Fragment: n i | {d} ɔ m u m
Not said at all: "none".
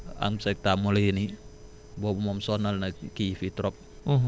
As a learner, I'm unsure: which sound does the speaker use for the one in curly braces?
b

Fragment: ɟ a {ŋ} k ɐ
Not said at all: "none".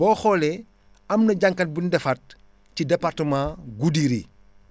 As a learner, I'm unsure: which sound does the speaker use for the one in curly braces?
ŋ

